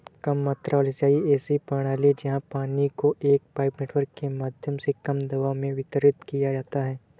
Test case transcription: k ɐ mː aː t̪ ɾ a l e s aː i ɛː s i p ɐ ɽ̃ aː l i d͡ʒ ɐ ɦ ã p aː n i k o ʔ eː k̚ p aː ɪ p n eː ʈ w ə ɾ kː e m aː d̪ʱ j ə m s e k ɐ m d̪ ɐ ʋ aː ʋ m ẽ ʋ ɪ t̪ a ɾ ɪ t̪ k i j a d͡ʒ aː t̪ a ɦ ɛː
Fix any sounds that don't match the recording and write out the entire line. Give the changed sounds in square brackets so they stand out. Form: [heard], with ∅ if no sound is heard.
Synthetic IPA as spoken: k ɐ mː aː t̪ ɾ a l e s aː i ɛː s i p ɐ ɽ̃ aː l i d͡ʒ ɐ ɦ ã p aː n i k o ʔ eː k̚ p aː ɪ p n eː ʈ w ə ɾ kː e m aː d̪ʱ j ə m s e k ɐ m d̪ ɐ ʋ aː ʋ m ẽ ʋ ɪ t̪ [ə] ɾ ɪ t̪ k i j a d͡ʒ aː t̪ a ɦ ɛː